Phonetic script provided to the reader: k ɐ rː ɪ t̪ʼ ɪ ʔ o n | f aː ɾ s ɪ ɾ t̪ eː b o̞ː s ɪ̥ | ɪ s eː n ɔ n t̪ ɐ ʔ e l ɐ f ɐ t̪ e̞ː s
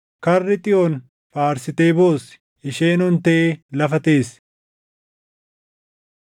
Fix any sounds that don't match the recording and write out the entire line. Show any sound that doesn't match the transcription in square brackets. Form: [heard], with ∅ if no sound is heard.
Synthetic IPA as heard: k ɐ rː ɪ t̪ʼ ɪ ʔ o n | f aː ɾ s ɪ [∅] t̪ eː b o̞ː s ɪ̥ | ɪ [ʃ] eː n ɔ n t̪ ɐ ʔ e l ɐ f ɐ t̪ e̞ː s